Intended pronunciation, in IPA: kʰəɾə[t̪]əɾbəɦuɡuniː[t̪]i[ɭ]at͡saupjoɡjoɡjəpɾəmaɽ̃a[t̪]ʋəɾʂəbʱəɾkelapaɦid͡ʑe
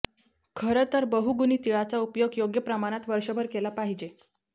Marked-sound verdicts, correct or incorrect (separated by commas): correct, correct, correct, correct